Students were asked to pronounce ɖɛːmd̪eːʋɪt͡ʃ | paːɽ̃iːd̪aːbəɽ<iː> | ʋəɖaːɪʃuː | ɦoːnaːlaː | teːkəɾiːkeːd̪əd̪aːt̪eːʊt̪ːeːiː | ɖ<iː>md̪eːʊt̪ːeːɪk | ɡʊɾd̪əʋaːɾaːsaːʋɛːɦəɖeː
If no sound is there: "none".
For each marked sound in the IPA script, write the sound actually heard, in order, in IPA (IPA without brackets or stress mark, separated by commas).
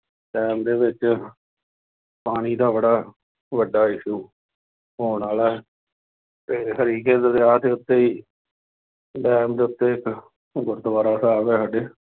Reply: aː, ɛː